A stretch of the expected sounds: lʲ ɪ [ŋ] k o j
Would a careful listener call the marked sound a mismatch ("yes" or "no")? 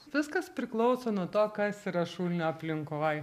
no